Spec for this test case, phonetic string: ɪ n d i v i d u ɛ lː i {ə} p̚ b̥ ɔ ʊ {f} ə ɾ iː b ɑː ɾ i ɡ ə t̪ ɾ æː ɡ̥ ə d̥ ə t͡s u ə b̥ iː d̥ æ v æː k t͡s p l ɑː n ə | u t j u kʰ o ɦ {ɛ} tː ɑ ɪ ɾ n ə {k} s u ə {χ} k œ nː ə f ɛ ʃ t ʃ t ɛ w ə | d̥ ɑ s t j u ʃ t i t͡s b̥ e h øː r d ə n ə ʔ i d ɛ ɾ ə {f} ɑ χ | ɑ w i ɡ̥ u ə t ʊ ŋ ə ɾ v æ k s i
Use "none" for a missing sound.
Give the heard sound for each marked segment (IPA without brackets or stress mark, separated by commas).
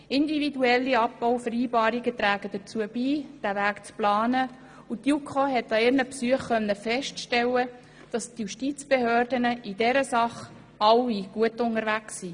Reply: ɑ, f, ɛ, p, χ, s